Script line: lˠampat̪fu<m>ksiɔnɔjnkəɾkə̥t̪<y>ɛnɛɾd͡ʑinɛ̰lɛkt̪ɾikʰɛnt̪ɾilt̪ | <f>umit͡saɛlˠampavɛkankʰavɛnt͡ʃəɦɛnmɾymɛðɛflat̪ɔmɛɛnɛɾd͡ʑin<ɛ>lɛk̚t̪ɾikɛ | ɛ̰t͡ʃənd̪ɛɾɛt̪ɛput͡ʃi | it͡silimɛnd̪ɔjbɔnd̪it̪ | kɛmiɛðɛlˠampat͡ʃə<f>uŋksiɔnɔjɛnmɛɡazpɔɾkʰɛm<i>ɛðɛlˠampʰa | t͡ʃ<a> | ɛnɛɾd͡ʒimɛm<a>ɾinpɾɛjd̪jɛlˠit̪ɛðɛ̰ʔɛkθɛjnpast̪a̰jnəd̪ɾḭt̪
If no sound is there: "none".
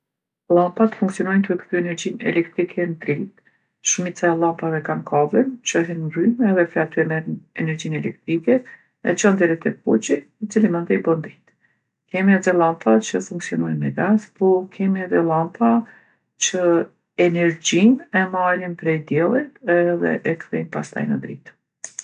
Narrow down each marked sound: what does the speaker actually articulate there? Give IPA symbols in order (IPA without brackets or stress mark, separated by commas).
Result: ŋ, y, ʃ, ɛ, f, i, ə, a